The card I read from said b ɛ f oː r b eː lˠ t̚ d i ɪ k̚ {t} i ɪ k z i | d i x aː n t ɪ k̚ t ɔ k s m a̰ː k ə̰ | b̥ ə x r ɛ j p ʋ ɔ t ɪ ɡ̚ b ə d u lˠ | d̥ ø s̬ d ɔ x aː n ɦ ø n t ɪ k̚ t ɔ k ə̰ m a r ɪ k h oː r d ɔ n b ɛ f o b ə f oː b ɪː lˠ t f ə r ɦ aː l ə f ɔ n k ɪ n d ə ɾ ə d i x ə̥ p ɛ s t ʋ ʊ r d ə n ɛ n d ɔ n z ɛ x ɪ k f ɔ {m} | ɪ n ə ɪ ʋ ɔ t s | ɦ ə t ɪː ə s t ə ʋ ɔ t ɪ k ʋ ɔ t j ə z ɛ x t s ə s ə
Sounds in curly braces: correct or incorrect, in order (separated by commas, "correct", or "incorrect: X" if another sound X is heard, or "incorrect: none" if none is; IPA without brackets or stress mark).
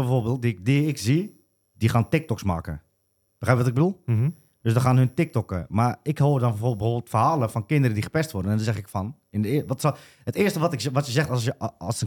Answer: incorrect: d, incorrect: n